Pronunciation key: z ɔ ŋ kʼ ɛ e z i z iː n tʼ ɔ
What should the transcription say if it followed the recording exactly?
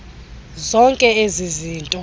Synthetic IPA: z ɔ ŋ kʼ ɛ e z i z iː n tʼ ɔ